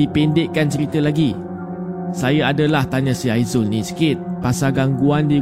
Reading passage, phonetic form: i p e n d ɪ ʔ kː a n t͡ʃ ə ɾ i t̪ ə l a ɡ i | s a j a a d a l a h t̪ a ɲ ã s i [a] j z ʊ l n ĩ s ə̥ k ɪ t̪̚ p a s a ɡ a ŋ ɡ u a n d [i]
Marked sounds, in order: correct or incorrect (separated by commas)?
correct, correct